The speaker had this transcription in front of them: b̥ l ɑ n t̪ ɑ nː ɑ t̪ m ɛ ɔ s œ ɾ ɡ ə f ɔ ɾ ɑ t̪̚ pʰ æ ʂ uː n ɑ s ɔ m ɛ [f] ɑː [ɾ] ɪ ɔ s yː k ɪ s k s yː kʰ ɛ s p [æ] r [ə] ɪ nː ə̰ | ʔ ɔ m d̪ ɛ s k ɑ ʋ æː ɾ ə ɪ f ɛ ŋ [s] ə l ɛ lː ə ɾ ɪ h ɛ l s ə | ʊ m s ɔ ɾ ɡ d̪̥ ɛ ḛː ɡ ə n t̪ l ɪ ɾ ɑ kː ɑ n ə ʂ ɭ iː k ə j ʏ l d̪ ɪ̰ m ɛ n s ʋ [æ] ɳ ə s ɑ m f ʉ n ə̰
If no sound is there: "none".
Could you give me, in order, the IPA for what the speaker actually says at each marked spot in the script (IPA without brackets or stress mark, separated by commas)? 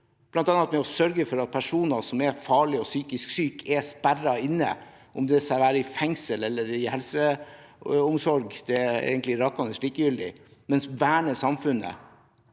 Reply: f, ɭ, æ, ɑ, s, æː